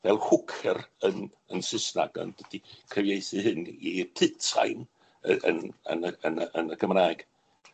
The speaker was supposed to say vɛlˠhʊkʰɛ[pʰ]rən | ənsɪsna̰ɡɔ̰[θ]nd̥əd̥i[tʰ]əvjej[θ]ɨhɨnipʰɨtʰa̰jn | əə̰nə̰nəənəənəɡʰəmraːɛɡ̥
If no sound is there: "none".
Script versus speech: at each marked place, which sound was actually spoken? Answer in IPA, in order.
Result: none, none, kʰ, θ

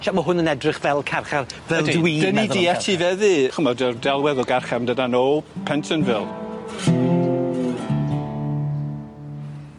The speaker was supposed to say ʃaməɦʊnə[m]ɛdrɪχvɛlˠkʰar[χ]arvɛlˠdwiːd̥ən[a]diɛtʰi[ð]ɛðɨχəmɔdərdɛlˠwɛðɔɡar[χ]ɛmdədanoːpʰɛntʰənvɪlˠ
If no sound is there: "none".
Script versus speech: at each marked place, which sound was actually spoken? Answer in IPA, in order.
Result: n, χ, i, v, χ

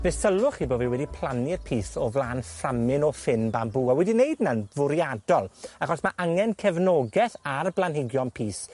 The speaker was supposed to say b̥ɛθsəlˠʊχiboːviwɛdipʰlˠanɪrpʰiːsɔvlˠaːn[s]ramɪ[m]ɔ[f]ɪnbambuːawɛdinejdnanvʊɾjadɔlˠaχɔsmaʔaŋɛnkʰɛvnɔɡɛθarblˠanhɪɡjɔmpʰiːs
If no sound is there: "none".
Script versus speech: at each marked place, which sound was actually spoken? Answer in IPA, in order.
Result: f, n, f

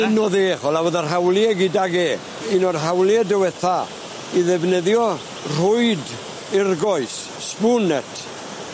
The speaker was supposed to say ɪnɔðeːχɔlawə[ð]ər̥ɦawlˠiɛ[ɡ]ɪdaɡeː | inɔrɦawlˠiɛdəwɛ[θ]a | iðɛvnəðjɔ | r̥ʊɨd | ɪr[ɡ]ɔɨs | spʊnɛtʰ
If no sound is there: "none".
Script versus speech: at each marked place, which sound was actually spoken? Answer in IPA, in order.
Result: ð, ɡ, θ, ɡ

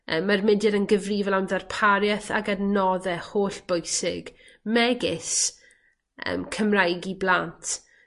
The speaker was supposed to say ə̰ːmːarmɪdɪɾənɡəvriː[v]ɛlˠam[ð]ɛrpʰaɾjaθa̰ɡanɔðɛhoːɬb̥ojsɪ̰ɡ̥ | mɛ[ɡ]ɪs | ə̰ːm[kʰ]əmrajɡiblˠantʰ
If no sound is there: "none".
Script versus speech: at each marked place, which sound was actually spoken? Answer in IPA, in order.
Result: v, ð, ɡ, kʰ

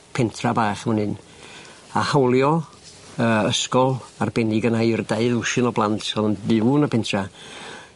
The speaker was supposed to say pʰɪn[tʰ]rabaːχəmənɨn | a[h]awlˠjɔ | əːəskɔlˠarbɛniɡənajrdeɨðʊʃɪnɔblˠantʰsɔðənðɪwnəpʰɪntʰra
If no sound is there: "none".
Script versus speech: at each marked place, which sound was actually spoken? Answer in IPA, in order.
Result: tʰ, h

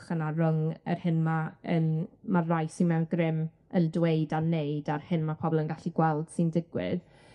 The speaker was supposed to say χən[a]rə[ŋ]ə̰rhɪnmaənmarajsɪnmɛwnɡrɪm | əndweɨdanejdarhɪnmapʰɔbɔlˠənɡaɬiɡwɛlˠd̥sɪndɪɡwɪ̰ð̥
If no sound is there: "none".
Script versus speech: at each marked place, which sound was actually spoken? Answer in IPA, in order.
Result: a, ŋ

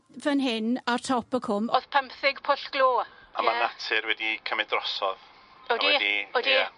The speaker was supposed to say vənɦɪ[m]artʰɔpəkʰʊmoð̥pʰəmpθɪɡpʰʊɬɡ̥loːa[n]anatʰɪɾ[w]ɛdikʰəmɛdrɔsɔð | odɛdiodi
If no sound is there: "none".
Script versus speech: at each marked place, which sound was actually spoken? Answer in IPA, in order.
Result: n, m, w

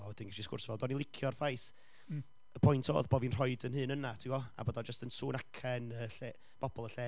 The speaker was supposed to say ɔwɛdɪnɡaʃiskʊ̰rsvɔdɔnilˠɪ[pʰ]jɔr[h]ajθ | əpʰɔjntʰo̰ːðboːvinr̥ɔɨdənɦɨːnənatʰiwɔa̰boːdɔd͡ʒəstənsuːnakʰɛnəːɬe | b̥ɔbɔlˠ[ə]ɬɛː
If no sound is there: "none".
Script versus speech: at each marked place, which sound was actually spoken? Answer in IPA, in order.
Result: kʰ, f, ə

